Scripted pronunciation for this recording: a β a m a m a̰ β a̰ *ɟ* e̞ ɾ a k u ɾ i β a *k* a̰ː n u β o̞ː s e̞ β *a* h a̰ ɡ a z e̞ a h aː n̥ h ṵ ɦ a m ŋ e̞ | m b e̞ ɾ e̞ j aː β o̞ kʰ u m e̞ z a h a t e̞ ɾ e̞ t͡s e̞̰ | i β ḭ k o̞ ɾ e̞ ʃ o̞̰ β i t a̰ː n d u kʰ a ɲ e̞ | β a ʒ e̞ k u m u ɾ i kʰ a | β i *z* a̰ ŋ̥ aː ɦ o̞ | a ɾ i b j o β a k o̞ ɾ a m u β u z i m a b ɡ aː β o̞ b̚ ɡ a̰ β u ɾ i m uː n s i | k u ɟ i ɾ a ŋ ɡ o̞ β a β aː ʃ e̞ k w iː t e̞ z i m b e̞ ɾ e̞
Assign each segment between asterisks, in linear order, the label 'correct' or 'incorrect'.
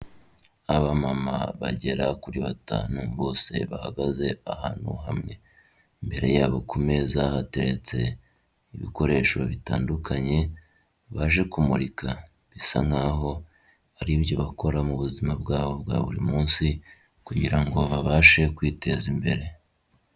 correct, incorrect, correct, incorrect

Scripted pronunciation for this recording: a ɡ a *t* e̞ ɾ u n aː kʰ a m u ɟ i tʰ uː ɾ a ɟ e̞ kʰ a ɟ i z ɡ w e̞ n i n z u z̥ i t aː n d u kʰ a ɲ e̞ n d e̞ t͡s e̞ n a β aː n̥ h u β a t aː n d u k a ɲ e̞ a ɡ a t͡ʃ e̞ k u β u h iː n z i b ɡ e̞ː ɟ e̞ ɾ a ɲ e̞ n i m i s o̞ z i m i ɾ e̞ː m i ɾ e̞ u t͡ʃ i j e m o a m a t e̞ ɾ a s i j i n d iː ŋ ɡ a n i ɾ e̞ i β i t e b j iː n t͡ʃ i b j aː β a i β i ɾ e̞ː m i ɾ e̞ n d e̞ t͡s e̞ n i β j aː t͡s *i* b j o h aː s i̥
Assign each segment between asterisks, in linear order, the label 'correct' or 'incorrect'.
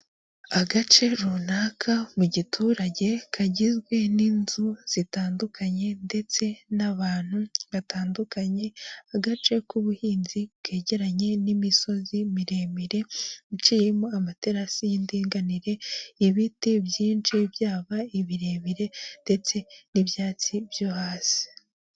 incorrect, correct

